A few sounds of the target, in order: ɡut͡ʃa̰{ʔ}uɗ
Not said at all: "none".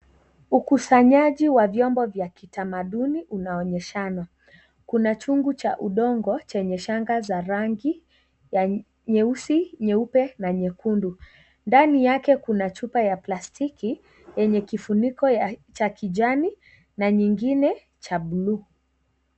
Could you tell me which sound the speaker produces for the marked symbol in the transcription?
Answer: ʔ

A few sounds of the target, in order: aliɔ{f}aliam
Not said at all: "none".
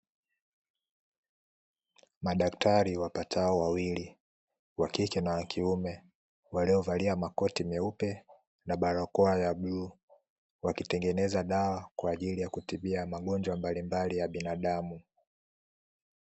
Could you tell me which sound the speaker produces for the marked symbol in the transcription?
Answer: v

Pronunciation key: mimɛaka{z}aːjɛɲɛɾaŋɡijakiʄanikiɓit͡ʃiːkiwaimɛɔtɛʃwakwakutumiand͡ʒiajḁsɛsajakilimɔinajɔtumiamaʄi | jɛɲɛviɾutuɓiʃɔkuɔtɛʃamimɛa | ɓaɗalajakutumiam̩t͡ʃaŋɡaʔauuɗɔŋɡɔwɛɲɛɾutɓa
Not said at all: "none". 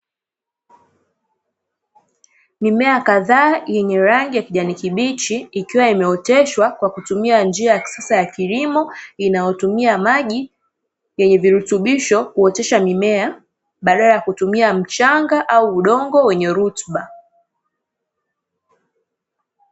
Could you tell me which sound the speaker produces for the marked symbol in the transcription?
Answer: ð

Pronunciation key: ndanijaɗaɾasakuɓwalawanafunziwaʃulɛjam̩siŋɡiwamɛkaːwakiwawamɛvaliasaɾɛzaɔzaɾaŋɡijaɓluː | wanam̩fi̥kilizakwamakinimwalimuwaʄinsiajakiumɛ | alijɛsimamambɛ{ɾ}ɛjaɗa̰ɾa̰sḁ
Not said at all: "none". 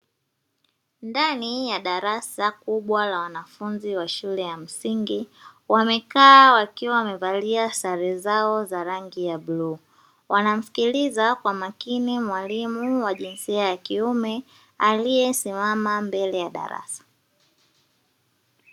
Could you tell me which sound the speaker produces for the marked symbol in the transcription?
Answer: l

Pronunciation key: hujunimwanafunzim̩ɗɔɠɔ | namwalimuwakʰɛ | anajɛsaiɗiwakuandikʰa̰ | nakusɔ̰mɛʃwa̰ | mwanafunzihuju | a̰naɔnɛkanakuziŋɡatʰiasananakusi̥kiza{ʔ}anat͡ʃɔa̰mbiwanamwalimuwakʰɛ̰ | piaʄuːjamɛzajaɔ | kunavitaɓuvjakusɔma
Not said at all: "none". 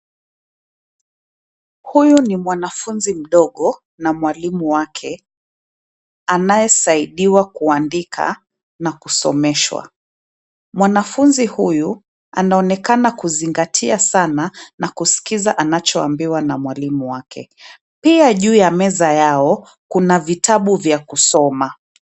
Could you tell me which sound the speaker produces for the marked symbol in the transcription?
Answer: ʔ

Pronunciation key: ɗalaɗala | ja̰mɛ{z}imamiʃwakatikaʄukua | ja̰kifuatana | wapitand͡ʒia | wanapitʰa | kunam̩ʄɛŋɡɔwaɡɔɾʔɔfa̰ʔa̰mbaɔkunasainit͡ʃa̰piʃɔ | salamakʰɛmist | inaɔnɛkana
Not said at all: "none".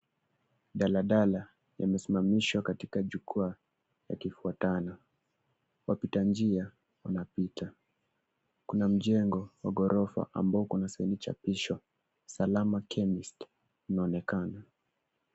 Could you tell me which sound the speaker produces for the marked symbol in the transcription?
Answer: s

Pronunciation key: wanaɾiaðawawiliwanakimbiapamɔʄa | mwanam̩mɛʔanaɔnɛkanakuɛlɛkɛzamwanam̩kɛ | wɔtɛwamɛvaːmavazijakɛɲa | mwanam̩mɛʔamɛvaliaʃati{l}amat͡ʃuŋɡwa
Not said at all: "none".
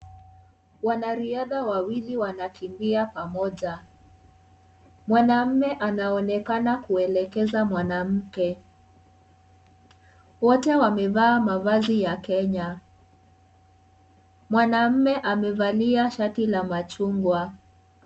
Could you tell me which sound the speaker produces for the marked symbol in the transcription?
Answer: l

